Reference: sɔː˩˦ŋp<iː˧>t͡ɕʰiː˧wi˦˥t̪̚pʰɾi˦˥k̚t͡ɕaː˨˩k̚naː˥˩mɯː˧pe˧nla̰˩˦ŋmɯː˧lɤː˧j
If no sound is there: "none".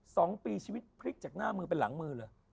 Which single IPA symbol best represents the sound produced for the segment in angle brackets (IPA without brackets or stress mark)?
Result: iː˧